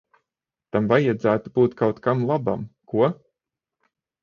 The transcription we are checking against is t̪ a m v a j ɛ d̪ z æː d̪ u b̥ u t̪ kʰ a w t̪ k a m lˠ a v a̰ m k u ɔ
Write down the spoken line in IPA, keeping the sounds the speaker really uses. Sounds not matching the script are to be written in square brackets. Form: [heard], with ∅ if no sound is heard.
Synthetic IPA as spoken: t̪ a m v a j [a] d̪ z æː [t̪] u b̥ [uː] t̪ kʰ a w t̪ k a m lˠ a [b] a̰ m k u ɔ